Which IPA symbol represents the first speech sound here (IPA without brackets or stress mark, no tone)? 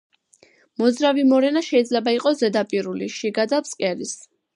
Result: m